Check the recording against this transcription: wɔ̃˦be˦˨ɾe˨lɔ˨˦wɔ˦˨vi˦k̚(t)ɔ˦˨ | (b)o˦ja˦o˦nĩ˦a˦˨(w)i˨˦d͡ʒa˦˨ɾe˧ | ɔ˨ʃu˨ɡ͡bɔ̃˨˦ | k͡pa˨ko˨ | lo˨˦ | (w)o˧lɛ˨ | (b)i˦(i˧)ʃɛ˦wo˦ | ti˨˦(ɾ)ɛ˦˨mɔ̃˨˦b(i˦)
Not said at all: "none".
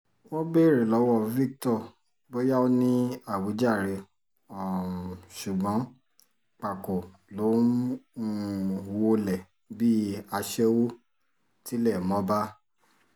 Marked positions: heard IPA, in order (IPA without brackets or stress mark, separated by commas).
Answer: t, b, w, w, b, a˧, l, a˦